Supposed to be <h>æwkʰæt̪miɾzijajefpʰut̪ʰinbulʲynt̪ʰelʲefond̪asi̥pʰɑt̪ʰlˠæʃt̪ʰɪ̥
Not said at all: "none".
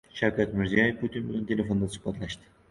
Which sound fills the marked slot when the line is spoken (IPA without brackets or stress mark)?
ʃ